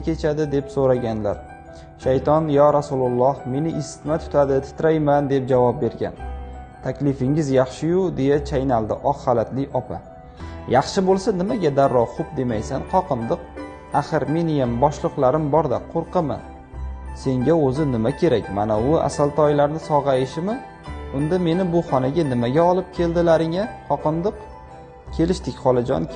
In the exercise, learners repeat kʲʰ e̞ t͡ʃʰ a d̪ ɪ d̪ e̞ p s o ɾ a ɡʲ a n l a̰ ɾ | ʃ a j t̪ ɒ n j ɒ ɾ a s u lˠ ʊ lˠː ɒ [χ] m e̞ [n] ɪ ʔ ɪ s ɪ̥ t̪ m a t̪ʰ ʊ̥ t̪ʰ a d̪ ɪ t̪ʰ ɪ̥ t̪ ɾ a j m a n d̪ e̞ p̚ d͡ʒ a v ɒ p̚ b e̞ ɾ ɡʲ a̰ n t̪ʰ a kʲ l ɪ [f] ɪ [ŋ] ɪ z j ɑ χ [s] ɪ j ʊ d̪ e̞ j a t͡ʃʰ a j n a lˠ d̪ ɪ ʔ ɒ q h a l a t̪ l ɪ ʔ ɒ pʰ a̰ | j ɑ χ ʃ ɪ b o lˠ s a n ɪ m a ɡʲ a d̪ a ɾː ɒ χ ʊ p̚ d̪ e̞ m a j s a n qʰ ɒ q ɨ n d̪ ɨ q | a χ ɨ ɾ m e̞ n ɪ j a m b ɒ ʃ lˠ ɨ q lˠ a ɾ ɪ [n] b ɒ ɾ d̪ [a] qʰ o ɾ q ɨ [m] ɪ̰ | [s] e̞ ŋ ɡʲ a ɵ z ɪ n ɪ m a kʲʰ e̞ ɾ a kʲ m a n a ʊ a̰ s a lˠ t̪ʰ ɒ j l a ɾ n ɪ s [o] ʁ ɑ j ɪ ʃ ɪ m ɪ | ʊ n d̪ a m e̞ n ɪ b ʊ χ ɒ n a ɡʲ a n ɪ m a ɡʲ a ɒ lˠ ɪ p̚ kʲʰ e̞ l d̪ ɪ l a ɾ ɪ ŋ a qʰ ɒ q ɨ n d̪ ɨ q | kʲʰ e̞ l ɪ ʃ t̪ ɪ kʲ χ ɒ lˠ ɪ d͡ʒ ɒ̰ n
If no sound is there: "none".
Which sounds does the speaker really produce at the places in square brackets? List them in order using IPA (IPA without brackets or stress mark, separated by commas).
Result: h, n, f, ŋ, ʃ, m, a, m, s, ɒ